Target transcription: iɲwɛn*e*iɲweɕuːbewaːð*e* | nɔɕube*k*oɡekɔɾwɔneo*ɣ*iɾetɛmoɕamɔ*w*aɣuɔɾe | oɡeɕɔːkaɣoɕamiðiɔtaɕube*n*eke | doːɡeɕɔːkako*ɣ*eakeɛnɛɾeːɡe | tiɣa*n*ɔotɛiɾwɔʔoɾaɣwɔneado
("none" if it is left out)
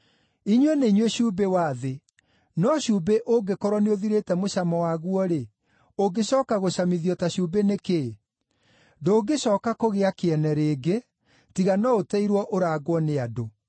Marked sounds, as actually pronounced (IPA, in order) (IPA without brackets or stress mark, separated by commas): e, e, ʔ, ð, w, n, ɣ, n